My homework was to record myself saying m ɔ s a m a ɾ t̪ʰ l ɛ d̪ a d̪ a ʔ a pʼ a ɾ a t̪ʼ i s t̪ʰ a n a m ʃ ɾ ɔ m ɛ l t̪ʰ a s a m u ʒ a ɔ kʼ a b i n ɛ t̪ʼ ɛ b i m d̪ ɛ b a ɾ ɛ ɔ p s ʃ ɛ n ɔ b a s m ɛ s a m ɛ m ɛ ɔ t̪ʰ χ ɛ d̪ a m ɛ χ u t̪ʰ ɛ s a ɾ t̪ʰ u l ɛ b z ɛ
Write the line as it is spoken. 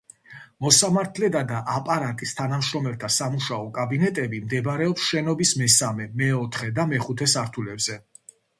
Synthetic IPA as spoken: m ɔ s a m a ɾ t̪ʰ l ɛ d̪ a d̪ a ʔ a pʼ a ɾ a t̪ʼ i s t̪ʰ a n a m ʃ ɾ ɔ m ɛ l t̪ʰ a s a m u ʃ a ɔ kʼ a b i n ɛ t̪ʼ ɛ b i m d̪ ɛ b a ɾ ɛ ɔ p s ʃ ɛ n ɔ b i s m ɛ s a m ɛ m ɛ ɔ t̪ʰ χ ɛ d̪ a m ɛ χ u t̪ʰ ɛ s a ɾ t̪ʰ u l ɛ b z ɛ